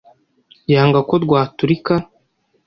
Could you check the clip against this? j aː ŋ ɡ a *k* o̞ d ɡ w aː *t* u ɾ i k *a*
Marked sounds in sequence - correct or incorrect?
correct, correct, correct

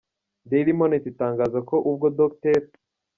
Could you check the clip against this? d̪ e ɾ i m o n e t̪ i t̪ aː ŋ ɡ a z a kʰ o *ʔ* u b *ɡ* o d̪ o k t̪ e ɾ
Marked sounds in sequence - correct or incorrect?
correct, correct

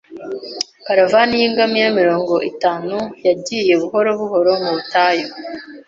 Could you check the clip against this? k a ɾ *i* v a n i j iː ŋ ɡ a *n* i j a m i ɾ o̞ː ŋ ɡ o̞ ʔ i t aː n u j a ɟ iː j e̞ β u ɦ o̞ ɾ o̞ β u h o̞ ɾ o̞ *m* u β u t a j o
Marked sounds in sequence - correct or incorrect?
incorrect, incorrect, correct

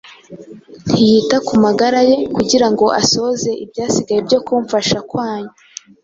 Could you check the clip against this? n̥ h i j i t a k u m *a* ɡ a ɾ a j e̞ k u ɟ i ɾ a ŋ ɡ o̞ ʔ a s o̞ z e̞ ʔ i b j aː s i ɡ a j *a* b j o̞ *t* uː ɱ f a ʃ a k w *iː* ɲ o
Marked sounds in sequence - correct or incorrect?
correct, incorrect, incorrect, incorrect

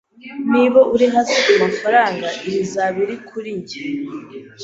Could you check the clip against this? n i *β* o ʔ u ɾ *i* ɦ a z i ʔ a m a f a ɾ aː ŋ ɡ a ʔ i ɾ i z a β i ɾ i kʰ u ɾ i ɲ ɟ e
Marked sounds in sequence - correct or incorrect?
correct, correct

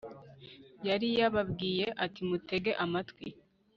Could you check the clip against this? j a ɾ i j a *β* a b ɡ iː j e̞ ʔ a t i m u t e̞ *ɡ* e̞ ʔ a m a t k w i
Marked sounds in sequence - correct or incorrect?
correct, correct

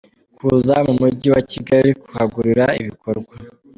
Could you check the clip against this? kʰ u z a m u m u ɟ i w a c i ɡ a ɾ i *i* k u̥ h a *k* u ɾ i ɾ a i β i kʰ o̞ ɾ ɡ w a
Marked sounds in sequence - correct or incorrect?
correct, incorrect

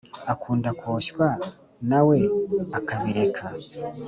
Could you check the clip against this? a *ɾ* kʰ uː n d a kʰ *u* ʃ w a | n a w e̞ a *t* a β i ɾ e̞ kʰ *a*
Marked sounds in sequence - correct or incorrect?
incorrect, incorrect, incorrect, correct

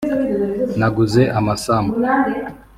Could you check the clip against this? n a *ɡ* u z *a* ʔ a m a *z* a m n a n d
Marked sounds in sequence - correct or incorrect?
correct, incorrect, incorrect

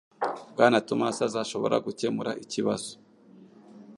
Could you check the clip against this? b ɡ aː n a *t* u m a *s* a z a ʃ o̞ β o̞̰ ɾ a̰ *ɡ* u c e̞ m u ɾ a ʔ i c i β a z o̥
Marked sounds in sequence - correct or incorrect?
correct, correct, correct

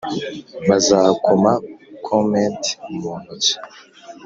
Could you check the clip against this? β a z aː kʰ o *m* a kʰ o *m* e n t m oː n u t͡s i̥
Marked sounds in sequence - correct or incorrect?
correct, correct

